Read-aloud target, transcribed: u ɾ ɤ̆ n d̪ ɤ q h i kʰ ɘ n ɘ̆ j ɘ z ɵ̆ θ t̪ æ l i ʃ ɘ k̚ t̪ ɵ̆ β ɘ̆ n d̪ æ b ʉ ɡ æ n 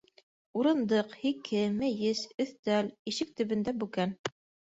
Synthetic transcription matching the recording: u ɾ ɤ̆ n d̪ ɤ q h i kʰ ɘ m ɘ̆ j ɘ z ɵ̆ θ t̪ æ l i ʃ ɘ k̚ t̪ ɵ̆ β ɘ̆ n d̪ æ b ʉ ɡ æ n

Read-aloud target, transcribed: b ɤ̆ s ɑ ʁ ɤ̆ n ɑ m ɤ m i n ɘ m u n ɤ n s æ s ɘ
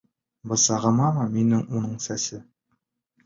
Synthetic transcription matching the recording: b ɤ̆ s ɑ ʁ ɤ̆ m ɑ m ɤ m i n ɘ ŋ u n ɤ ɴ s æ s ɘ

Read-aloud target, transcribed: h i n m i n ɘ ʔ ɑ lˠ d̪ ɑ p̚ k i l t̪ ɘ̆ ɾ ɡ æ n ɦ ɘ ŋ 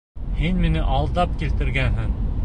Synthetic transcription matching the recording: h i n m i n ɘ ʔ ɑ lˠ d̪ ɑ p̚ k i l t̪ ɘ̆ ɾ ɡ æ n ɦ ɘ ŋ

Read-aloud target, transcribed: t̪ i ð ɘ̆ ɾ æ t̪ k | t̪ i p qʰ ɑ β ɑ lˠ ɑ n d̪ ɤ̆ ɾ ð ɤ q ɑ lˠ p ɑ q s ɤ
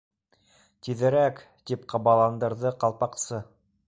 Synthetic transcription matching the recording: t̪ i ð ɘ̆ ɾ æ k | t̪ i p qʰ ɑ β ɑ lˠ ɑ n d̪ ɤ̆ ɾ ð ɤ q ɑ lˠ p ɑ q s ɤ

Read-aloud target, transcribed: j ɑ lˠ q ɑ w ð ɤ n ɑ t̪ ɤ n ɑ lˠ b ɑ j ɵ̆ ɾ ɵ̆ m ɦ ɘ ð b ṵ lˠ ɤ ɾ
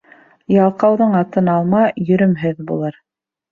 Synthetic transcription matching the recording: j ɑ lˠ q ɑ w ð ɤ ɴ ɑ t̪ ɤ n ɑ lˠ m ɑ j ɵ̆ ɾ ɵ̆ m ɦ ɘ ð b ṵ lˠ ɤ ɾ

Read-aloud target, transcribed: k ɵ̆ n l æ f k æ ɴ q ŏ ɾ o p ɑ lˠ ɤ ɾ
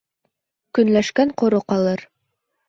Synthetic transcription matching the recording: k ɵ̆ n l æ ʃ k æ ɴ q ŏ ɾ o q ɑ lˠ ɤ ɾ

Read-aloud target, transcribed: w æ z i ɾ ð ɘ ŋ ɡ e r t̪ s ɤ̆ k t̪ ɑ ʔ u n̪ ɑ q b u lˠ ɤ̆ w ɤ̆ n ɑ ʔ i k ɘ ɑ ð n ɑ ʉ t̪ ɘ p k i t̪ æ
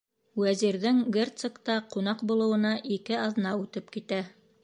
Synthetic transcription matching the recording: w æ z i ɾ ð ɘ ŋ ɡ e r t̪ s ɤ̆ k t̪ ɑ q u n̪ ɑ q b u lˠ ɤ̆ w ɤ̆ n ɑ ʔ i k ɘ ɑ ð n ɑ ʉ t̪ ɘ p k i t̪ æ

